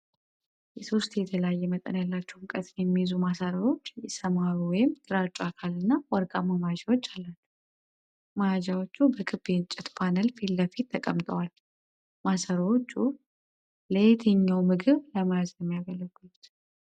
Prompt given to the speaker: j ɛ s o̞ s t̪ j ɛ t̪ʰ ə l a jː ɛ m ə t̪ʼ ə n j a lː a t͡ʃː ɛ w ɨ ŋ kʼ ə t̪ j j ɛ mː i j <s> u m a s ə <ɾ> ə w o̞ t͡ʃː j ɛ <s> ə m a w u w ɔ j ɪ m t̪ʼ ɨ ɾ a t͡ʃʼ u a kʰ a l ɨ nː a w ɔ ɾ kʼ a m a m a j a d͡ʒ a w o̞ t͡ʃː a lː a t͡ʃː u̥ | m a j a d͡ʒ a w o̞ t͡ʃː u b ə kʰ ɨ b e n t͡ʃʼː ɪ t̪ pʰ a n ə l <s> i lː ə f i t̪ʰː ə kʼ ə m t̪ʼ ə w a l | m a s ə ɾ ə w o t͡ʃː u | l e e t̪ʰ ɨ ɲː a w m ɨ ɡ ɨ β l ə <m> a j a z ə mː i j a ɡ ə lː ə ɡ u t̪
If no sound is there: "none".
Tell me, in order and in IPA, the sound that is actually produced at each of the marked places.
z, ɾ, s, f, m

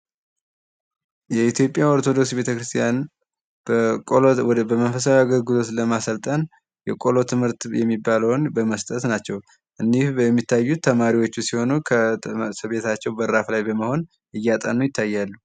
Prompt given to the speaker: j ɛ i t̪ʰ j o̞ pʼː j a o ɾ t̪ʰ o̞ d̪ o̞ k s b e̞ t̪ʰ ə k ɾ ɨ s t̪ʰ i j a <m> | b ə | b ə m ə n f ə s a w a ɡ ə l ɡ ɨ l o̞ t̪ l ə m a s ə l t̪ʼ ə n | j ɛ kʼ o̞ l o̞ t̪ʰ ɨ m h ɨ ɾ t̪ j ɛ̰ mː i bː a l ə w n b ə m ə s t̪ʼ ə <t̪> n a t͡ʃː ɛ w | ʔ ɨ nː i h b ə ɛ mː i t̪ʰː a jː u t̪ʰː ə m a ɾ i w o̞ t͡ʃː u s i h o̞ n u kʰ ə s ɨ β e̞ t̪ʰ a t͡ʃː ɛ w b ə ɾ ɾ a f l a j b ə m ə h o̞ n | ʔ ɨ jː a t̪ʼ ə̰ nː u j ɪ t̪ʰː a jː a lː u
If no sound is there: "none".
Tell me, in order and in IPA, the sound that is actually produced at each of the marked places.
n, t̪

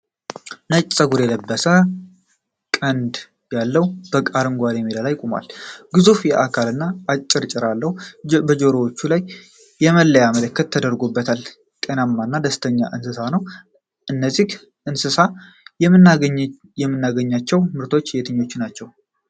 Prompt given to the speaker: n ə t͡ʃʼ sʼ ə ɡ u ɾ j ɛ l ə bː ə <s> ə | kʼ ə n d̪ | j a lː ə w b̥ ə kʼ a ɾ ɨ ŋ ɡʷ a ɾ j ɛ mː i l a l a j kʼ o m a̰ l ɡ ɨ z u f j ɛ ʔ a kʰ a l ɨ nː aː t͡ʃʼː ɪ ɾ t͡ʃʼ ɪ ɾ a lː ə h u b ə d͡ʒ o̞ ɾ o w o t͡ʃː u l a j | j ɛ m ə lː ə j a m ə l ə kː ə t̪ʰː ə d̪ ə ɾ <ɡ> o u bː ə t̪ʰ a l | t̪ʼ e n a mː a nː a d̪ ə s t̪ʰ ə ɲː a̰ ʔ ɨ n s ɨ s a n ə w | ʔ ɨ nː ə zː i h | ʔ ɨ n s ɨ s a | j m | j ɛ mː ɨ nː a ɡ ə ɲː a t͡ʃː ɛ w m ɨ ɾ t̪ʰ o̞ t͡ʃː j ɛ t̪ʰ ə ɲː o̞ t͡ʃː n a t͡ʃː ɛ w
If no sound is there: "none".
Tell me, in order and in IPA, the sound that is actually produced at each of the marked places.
s, ɡ

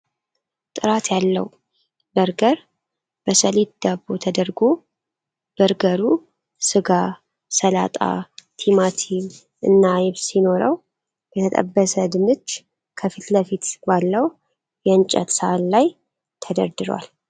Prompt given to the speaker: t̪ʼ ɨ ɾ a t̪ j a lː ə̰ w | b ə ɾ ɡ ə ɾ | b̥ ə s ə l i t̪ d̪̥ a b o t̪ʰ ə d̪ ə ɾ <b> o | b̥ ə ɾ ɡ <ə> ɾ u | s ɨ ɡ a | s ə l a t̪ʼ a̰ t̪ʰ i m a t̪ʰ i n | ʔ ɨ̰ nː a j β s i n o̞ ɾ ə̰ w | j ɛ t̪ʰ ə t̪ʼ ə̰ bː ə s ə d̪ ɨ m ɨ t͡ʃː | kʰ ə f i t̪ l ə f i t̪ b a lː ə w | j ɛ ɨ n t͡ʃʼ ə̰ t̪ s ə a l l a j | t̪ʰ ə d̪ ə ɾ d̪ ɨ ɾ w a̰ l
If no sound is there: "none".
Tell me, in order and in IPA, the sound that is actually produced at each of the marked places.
ɡ, ə

